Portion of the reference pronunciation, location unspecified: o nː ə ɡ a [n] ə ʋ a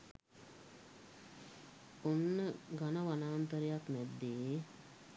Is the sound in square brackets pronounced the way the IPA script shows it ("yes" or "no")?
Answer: yes